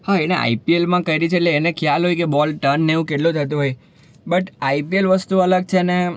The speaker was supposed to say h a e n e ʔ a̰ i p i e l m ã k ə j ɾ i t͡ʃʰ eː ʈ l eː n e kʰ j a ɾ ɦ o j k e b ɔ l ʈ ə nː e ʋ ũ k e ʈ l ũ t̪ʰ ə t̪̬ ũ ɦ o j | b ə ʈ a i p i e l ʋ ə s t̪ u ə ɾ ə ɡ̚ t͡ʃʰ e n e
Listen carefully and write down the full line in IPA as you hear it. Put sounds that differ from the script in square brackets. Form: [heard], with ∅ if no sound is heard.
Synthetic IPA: h a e n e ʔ a̰ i p i e l m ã k ə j ɾ i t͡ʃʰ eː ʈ l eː n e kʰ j a [l] ɦ o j k e b ɔ l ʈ ə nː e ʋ ũ k e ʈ l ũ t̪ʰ ə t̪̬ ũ ɦ o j | b ə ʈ a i p i e l ʋ ə s t̪ u ə [l] ə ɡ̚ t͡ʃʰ e n e